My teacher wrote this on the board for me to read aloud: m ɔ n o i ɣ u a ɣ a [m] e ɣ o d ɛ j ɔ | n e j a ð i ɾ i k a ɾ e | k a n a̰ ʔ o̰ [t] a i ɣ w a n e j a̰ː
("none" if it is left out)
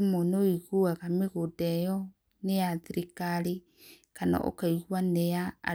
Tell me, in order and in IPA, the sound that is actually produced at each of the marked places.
m, k

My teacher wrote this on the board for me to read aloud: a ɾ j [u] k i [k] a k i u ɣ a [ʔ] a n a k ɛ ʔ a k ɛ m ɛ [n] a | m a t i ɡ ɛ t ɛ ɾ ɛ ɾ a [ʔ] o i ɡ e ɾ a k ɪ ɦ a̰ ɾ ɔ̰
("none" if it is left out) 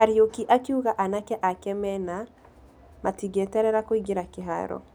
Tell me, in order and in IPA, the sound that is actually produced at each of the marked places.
o, ʔ, ʔ, n, k

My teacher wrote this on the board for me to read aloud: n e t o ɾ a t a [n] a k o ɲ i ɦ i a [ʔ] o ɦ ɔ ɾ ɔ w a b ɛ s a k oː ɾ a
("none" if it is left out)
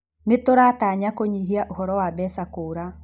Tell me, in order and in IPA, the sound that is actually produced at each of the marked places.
ɲ, ʔ

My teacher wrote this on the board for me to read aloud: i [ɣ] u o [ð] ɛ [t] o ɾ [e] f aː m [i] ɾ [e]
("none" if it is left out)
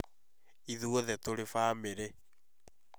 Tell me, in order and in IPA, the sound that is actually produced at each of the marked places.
ð, ð, t, e, e, e

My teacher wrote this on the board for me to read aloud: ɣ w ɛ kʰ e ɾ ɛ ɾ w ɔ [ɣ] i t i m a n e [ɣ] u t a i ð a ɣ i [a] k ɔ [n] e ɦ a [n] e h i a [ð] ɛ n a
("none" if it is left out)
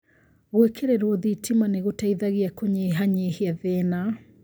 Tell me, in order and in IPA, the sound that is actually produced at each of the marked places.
ð, ɣ, a, ɲ, ɲ, ð

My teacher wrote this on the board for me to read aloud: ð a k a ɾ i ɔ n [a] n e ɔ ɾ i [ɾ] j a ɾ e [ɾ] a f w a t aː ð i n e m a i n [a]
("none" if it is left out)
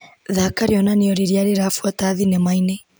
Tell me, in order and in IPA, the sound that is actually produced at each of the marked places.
a, ɾ, ɾ, e

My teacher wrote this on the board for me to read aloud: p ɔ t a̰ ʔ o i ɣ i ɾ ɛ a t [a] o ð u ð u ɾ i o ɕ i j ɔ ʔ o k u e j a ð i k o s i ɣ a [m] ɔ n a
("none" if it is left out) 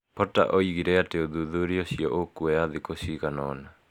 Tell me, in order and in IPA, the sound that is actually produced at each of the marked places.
e, n

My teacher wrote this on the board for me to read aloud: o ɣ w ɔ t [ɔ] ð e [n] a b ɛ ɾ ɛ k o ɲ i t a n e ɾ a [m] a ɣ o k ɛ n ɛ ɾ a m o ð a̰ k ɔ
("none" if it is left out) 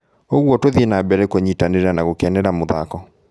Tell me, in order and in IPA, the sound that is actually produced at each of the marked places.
o, n, n

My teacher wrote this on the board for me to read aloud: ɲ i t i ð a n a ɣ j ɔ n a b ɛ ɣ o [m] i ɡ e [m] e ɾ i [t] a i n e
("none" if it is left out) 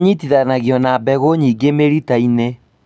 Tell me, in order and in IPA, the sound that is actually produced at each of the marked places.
ɲ, m, t

